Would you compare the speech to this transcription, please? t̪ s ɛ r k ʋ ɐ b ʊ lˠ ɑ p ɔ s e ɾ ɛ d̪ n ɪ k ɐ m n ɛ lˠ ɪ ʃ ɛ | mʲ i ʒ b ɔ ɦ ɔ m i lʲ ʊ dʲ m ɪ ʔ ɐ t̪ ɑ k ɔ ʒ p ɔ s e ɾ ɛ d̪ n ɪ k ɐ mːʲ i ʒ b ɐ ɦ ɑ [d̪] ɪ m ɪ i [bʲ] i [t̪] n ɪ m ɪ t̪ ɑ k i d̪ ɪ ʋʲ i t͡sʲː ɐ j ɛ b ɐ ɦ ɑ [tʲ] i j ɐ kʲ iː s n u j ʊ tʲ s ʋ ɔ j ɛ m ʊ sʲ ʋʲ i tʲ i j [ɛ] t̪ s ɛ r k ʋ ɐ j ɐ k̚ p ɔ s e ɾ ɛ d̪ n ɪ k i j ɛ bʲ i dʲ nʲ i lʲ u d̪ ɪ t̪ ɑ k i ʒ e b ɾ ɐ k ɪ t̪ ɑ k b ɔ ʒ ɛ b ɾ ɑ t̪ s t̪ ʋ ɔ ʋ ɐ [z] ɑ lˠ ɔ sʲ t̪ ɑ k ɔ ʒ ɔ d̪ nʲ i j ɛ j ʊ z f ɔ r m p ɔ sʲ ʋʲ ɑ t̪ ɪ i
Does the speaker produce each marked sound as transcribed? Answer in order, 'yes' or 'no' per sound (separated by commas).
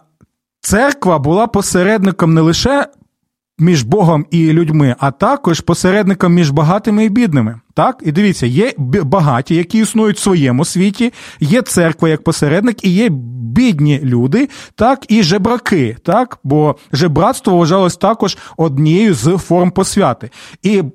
no, yes, no, yes, yes, no